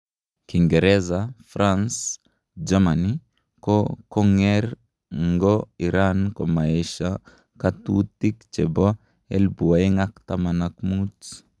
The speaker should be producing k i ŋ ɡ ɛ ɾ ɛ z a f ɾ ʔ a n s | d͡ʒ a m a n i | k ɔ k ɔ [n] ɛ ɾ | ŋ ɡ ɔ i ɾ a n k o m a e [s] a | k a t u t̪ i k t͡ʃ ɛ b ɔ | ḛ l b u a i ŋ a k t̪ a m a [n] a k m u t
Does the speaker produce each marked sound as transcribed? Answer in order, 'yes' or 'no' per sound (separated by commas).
no, no, yes